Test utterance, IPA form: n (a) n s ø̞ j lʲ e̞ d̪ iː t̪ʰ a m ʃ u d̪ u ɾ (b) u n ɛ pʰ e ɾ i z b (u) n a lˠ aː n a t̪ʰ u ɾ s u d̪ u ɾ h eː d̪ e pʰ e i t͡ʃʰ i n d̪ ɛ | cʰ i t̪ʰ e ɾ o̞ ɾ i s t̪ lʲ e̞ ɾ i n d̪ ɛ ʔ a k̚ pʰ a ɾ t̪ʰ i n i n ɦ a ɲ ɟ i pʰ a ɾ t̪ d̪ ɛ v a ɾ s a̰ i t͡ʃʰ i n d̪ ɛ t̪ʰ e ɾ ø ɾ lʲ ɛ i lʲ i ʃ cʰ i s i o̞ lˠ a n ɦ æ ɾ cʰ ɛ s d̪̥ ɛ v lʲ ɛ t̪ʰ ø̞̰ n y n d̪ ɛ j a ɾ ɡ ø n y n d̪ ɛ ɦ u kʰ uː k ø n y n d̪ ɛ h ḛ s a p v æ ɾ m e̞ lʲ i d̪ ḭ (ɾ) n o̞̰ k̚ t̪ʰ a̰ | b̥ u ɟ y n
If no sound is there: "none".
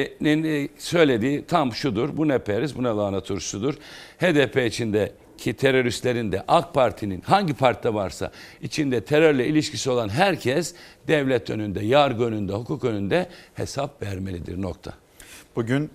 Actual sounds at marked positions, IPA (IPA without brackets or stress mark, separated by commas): i, b, u, ɾ